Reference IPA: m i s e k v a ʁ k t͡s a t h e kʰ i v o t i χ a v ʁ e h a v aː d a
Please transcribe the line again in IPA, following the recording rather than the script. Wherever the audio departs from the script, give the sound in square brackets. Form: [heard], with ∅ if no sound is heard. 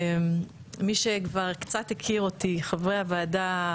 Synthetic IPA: m i [ʃ] e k v a ʁ k t͡s a t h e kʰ i [ʁ] o t i χ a v ʁ e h a v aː d a

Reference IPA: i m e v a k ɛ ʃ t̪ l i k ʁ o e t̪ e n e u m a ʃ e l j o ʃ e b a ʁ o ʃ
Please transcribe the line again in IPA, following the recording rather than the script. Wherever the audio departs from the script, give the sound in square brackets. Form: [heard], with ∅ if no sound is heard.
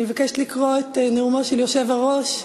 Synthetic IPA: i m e v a k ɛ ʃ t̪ l i k ʁ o e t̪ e n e u m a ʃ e l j o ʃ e [v] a ʁ o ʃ

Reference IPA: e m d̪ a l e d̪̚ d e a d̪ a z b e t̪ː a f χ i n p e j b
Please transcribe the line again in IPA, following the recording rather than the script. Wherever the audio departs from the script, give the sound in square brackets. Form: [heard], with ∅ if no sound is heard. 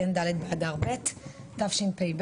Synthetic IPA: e [n] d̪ a l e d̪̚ [b] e a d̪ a [ʁ] b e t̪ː a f [ʃ] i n p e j b

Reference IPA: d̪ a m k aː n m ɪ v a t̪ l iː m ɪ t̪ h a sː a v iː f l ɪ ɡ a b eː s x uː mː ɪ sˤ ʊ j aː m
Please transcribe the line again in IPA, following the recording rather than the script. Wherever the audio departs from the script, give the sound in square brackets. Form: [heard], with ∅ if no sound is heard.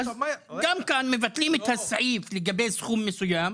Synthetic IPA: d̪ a m k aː n m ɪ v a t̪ l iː m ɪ t̪ h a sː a [ʕ] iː f l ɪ ɡ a b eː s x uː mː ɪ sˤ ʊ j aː m

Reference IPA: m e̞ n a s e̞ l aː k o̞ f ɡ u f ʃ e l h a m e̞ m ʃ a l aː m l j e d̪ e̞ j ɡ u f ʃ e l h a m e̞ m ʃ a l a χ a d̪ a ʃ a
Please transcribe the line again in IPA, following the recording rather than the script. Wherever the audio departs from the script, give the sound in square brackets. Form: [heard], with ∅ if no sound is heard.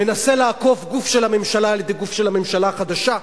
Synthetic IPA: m e̞ n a s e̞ l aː k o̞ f ɡ u f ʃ e l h a m e̞ m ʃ a l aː [∅] l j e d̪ e̞ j ɡ u f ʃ e l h a m e̞ m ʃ a l a χ a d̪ a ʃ a

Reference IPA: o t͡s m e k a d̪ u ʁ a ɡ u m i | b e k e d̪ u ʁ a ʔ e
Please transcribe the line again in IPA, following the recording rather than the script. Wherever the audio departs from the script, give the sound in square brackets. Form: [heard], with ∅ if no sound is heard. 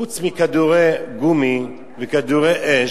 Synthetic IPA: [u] t͡s m [i] k a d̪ u ʁ [e] ɡ u m i | [v] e k [a] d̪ u ʁ [e] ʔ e

